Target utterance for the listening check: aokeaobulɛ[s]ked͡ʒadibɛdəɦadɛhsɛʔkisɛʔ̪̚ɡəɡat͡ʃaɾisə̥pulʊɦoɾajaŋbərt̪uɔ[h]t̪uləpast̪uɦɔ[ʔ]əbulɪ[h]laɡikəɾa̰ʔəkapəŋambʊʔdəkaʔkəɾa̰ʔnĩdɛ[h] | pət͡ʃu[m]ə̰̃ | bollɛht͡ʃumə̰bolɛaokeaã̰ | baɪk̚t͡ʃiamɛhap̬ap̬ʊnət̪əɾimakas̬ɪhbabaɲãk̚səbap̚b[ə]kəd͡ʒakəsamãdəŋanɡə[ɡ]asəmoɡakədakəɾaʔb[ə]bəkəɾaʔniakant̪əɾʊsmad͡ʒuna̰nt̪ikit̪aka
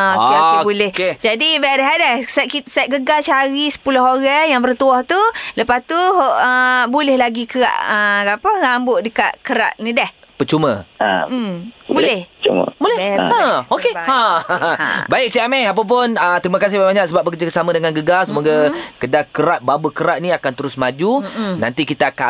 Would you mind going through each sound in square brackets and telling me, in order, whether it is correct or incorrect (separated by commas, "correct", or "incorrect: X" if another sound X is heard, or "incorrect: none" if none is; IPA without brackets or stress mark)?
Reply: incorrect: h, correct, correct, correct, correct, correct, correct, correct, incorrect: a